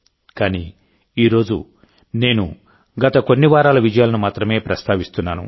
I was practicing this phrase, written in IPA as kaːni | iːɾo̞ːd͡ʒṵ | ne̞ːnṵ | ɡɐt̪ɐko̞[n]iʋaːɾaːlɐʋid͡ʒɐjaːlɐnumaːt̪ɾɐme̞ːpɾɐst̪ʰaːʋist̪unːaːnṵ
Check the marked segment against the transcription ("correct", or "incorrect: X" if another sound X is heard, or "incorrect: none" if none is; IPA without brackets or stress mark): incorrect: nː